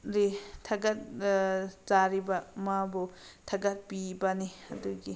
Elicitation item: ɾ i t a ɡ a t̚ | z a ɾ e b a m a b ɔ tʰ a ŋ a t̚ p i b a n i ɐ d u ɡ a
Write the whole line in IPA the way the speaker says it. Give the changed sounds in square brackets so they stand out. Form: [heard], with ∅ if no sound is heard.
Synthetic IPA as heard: ɾ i [tʰ] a ɡ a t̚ | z a ɾ [i] b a m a b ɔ tʰ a [ɡ] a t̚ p i b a n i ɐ d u ɡ [i]